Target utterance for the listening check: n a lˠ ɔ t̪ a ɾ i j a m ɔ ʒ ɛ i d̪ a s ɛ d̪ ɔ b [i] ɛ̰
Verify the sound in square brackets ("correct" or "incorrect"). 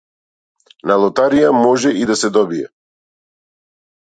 correct